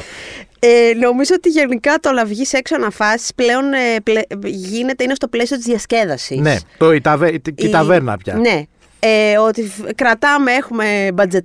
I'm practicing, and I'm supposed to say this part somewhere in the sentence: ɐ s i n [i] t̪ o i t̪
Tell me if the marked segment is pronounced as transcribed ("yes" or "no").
no